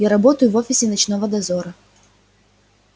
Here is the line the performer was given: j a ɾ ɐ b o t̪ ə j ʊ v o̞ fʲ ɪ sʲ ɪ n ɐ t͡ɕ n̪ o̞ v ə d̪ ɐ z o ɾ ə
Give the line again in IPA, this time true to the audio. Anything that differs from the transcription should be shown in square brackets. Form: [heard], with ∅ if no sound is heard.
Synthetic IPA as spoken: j a ɾ ɐ b o t̪ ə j ʊ v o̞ fʲ ɪ sʲ ɪ n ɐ t͡ɕ n̪ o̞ v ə d̪ ɐ z o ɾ ə